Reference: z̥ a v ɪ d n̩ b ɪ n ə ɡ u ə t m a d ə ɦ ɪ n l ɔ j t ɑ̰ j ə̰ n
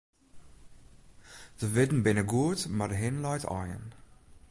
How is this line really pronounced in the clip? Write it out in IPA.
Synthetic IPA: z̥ ə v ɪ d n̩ b ɪ n ə ɡ u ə t m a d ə ɦ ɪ n l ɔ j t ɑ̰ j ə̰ n